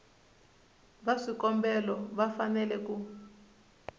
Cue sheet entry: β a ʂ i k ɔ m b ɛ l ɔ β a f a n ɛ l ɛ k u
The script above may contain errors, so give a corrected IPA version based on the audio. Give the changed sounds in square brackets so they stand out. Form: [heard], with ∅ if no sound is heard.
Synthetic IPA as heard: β a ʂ i k ɔ m b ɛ l ɔ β a f a n ɛ l ɛ k u